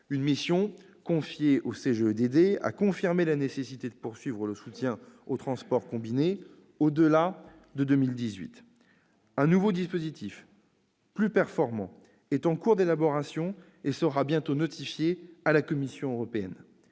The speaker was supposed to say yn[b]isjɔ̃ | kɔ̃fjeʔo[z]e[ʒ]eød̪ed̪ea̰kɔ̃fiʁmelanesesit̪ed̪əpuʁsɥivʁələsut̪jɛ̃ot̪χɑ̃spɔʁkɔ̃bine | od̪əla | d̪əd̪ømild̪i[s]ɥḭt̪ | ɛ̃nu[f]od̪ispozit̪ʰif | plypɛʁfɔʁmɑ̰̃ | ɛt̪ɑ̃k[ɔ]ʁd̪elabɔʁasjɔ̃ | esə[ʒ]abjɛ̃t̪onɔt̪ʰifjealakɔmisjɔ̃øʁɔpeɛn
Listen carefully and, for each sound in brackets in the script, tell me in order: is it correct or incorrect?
incorrect: m, incorrect: s, correct, incorrect: z, incorrect: v, incorrect: u, incorrect: ʁ

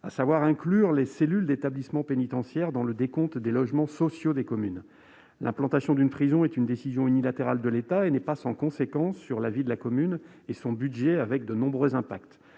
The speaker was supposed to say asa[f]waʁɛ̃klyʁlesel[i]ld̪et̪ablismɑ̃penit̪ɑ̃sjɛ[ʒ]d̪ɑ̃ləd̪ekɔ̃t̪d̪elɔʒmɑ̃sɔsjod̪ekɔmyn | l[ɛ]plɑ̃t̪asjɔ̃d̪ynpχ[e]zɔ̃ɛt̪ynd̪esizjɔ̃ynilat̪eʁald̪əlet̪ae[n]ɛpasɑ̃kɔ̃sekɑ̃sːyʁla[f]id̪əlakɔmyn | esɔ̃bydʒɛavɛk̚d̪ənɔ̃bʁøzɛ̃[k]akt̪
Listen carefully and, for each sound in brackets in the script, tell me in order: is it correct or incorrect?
incorrect: v, incorrect: y, incorrect: ʁ, incorrect: ɛ̃, incorrect: i, correct, incorrect: v, incorrect: p

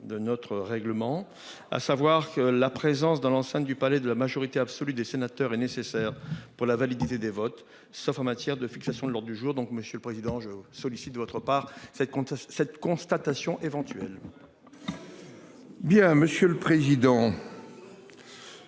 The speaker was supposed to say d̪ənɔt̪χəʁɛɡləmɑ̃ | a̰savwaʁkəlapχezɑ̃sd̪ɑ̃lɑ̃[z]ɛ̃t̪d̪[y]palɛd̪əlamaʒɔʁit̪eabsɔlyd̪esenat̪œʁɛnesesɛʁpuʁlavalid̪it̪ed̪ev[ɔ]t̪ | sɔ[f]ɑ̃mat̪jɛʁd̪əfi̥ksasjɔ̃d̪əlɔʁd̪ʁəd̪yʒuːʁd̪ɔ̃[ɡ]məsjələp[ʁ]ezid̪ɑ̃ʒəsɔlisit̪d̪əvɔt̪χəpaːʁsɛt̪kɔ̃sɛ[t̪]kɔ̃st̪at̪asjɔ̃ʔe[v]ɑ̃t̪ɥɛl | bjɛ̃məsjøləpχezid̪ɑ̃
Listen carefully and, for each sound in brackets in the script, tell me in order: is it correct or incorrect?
incorrect: s, correct, correct, correct, incorrect: k, incorrect: χ, correct, correct

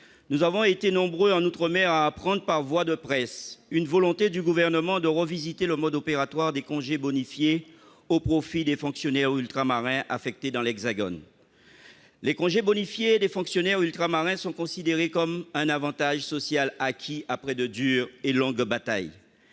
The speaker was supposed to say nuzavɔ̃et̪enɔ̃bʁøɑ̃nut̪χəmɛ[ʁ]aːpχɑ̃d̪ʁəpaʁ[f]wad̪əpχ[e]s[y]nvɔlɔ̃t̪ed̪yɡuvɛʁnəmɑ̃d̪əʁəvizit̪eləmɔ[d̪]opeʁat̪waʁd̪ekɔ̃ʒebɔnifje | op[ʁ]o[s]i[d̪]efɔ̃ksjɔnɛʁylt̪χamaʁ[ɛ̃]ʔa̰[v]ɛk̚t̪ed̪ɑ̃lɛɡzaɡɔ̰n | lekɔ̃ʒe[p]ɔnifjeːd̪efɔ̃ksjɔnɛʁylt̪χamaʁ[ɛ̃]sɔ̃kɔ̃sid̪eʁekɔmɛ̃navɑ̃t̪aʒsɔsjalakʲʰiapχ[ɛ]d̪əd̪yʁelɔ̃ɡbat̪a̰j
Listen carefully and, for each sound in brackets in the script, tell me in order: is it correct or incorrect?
correct, incorrect: v, incorrect: ɛ, correct, correct, incorrect: χ, incorrect: f, correct, correct, incorrect: f, incorrect: b, correct, correct

